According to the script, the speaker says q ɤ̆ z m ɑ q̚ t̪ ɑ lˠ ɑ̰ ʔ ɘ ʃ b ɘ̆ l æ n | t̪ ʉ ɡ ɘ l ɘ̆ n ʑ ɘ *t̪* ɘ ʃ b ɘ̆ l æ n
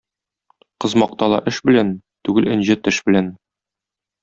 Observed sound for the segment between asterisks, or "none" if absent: t̪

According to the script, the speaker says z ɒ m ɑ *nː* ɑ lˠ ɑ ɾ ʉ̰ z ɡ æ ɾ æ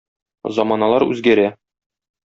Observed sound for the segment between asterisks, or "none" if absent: n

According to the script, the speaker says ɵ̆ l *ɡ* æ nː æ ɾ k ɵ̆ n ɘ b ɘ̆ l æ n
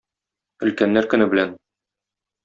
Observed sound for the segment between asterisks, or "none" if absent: k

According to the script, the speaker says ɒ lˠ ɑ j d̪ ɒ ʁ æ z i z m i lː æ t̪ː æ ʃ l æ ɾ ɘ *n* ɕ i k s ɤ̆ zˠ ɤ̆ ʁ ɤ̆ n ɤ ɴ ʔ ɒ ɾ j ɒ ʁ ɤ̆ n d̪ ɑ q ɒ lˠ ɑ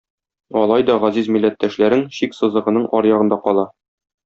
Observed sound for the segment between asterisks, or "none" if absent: ŋ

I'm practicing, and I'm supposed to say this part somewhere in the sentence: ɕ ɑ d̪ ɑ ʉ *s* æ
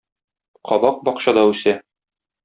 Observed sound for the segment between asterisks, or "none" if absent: s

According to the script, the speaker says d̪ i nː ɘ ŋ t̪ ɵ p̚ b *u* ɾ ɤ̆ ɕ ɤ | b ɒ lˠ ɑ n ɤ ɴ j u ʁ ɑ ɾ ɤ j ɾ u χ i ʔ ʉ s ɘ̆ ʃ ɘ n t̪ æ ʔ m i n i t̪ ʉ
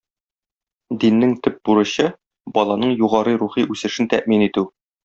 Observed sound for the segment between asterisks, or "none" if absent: u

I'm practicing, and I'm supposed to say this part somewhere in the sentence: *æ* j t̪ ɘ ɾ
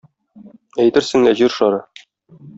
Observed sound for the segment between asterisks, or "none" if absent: æ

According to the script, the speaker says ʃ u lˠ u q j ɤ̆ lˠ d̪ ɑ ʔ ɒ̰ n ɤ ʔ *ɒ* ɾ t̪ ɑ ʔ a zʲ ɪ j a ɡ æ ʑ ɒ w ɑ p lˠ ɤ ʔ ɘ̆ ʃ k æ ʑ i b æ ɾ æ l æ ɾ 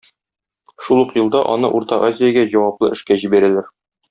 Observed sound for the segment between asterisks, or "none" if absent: u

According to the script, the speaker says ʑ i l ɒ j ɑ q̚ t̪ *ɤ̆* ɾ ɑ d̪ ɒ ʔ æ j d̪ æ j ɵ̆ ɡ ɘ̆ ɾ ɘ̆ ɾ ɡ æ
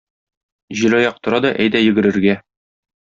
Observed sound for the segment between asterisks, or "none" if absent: ŏ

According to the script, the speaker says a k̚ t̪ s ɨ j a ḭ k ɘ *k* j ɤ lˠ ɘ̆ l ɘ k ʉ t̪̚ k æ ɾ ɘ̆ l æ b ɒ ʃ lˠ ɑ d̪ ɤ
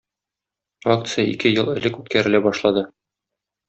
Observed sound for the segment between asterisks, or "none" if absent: none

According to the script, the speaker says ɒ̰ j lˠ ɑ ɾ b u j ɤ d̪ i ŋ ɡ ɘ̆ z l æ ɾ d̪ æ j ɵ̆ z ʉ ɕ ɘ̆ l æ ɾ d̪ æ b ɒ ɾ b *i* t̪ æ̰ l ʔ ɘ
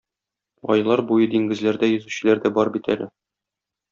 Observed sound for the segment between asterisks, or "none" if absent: i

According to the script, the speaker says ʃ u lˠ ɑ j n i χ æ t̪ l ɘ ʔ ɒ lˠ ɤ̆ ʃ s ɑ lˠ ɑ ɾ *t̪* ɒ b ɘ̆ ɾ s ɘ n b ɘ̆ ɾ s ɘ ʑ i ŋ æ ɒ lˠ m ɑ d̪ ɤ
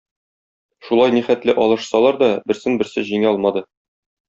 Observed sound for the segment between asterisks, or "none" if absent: d̪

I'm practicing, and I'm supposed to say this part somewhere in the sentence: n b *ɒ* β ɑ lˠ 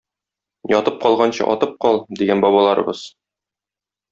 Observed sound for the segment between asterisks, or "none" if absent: ɒ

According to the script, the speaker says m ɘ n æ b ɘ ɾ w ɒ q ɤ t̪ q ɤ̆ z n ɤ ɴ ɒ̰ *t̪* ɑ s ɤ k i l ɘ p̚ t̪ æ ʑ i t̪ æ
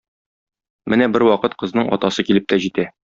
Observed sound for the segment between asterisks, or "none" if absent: t̪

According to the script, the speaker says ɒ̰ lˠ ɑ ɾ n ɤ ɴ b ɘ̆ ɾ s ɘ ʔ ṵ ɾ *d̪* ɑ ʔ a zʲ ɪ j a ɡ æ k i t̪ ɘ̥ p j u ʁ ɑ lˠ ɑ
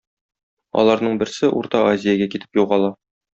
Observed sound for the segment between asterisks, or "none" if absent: t̪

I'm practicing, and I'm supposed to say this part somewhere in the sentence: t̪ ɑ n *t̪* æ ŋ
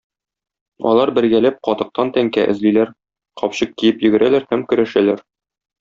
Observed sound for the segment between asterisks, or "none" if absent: t̪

